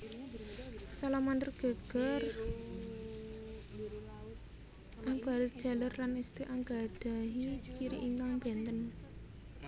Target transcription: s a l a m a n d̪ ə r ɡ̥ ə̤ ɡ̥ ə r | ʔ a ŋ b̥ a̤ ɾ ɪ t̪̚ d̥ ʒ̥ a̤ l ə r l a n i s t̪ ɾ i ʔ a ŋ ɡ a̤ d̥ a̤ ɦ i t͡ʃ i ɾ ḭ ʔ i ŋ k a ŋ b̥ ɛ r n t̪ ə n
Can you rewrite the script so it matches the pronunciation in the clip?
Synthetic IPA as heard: s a l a m a n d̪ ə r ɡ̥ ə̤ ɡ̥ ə r | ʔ a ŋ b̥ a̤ ɾ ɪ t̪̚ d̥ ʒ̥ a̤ l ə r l a n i s t̪ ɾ i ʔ a ŋ ɡ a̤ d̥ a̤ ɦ i t͡ʃ i ɾ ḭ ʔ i ŋ k a ŋ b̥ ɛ n t̪ ə n